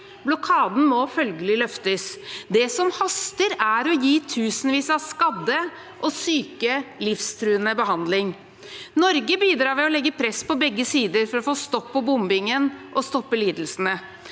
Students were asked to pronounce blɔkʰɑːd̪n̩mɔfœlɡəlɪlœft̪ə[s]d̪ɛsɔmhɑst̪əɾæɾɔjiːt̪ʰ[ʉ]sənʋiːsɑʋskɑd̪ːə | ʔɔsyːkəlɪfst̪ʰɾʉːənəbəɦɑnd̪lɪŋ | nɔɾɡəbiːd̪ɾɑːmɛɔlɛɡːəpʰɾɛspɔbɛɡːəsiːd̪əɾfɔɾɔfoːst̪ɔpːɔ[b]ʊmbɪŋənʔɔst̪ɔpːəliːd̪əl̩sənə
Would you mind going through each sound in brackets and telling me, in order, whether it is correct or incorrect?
correct, incorrect, correct

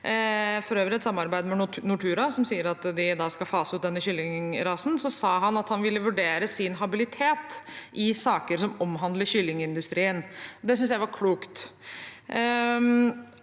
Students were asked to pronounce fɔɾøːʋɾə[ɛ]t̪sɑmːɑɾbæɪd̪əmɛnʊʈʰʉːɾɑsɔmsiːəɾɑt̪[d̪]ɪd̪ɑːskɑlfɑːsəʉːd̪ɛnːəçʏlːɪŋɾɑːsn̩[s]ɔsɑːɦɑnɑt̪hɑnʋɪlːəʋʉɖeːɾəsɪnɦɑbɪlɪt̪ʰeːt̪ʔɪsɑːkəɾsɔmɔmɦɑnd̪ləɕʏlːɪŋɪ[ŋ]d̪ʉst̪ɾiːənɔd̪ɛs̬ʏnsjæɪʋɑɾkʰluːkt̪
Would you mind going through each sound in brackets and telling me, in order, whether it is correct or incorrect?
correct, correct, correct, incorrect

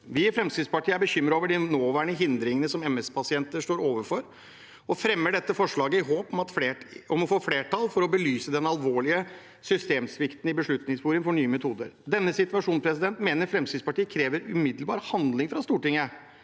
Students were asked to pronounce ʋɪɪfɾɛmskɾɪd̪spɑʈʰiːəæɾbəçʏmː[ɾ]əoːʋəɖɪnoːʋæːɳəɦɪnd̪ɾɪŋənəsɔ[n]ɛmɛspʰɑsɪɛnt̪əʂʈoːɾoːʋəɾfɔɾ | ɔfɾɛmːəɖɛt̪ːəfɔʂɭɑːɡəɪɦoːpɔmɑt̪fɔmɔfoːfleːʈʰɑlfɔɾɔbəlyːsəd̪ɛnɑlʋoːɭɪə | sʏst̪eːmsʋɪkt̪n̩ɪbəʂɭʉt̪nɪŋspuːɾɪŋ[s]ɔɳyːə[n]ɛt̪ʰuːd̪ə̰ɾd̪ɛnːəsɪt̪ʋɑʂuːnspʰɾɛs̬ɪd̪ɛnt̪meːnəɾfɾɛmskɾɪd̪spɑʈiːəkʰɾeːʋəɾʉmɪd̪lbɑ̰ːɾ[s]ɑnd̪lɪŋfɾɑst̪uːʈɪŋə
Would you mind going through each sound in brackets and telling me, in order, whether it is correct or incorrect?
correct, incorrect, incorrect, incorrect, incorrect

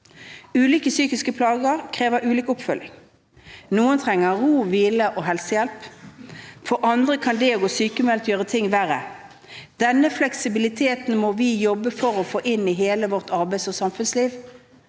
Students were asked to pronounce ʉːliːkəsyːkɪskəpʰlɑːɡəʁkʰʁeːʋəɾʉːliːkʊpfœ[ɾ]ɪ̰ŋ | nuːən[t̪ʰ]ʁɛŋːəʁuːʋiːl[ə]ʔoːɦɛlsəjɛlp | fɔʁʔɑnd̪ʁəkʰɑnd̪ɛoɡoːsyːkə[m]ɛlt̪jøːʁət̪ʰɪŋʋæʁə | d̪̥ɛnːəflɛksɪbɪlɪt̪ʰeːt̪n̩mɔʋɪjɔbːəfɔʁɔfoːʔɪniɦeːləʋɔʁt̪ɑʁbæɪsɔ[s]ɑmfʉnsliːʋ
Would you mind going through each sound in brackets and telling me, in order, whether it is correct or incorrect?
incorrect, correct, correct, correct, correct

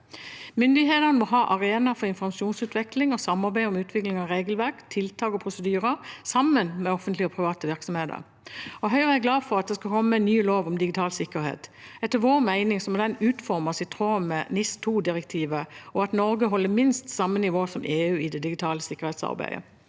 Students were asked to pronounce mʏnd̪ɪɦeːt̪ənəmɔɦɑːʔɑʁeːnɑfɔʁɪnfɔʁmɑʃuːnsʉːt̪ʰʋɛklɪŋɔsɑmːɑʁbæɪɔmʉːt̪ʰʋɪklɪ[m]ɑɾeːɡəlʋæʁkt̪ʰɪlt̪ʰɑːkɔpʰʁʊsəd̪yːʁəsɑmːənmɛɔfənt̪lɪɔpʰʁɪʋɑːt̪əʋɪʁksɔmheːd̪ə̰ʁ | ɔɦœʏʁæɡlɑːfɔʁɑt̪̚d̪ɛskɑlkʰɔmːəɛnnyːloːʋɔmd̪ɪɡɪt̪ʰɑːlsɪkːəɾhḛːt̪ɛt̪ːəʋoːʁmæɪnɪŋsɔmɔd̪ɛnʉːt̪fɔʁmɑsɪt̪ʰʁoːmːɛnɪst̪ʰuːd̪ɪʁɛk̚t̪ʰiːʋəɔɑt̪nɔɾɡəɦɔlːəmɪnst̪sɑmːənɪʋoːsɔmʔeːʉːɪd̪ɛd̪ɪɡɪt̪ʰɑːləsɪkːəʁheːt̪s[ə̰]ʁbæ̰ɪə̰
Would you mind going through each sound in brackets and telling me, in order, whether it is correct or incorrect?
incorrect, incorrect

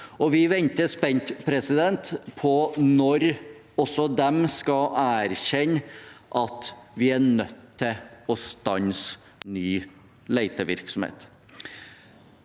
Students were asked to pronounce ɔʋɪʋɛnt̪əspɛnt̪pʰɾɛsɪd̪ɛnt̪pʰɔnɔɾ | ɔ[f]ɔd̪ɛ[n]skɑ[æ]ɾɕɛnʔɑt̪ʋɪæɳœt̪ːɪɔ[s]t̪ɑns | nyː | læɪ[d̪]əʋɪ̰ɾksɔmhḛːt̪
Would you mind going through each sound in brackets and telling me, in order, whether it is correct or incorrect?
incorrect, incorrect, incorrect, correct, incorrect

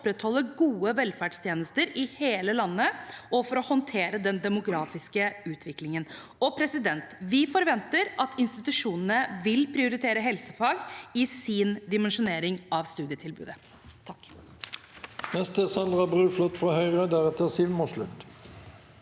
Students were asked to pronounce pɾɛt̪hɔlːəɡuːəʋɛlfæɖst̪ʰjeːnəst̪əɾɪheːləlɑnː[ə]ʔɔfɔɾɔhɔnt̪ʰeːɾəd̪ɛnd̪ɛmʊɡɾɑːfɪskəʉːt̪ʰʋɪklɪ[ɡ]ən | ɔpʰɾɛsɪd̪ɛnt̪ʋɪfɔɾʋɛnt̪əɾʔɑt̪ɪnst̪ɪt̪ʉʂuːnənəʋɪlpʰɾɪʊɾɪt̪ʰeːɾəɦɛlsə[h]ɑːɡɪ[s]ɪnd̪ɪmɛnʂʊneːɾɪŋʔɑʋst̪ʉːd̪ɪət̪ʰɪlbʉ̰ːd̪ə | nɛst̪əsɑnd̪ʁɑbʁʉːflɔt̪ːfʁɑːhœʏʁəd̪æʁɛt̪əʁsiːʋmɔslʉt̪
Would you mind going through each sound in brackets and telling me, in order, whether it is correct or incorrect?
correct, incorrect, incorrect, correct

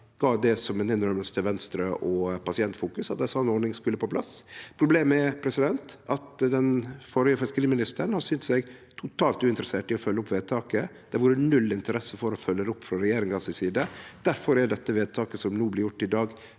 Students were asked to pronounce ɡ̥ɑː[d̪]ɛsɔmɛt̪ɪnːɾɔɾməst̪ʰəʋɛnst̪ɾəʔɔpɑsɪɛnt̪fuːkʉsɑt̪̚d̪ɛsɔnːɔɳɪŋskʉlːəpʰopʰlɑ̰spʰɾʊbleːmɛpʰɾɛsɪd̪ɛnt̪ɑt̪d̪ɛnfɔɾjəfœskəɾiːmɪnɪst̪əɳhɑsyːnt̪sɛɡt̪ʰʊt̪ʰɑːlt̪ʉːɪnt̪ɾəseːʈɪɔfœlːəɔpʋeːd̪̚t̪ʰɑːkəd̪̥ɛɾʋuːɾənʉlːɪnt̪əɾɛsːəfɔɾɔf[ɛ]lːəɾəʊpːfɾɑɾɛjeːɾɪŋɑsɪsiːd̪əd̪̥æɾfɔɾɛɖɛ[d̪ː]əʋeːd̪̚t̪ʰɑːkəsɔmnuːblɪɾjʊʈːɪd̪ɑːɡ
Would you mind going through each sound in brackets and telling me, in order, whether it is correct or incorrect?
correct, incorrect, incorrect

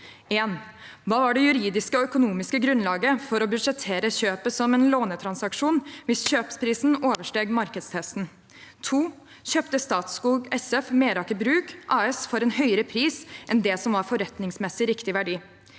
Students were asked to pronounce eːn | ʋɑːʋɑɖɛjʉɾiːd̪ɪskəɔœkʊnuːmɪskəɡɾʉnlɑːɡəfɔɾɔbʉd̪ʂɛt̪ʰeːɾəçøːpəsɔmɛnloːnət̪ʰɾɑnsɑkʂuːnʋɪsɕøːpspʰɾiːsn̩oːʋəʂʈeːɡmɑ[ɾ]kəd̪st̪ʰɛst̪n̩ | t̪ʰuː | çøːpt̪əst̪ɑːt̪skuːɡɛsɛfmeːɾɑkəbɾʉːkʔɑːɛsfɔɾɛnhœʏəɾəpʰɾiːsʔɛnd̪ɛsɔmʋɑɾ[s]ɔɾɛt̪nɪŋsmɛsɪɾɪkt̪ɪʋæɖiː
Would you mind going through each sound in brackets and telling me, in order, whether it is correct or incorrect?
correct, incorrect

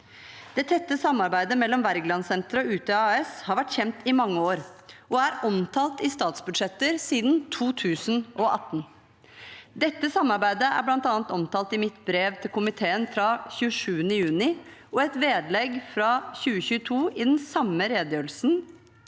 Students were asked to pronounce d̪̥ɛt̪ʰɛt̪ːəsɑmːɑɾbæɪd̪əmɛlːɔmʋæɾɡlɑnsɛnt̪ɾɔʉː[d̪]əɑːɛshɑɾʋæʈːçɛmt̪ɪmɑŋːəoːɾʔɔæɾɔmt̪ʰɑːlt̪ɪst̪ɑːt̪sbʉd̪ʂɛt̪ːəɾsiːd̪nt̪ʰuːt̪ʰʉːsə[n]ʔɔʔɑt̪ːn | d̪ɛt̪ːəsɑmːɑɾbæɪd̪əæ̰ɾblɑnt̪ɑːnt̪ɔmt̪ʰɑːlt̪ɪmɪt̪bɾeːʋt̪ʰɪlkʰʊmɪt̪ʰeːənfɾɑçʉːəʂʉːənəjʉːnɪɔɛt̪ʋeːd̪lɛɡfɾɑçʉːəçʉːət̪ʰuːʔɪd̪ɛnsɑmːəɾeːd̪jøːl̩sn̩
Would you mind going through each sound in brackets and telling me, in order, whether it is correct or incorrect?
incorrect, correct

